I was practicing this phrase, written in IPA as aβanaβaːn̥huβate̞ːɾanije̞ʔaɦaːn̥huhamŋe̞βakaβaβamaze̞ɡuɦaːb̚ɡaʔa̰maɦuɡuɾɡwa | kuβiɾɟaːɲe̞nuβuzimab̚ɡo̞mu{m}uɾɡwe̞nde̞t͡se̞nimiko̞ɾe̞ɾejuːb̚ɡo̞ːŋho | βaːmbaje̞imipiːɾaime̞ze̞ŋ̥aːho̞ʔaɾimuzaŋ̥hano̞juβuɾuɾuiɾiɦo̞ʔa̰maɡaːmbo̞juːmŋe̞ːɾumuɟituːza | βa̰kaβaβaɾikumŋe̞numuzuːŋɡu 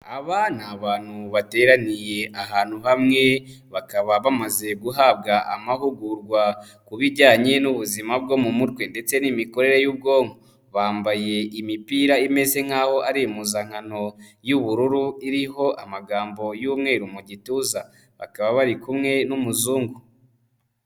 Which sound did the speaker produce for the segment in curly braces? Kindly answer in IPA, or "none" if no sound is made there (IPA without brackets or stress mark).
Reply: m